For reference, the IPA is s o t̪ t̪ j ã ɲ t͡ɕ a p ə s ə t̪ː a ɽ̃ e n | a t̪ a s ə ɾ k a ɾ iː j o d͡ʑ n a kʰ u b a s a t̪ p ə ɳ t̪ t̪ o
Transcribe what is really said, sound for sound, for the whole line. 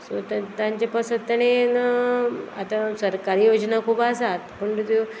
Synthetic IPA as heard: s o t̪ t̪ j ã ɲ t͡ɕ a p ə s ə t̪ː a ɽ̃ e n | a t̪ a s ə ɾ k a ɾ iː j o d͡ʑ n a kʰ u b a s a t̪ p ə ɳ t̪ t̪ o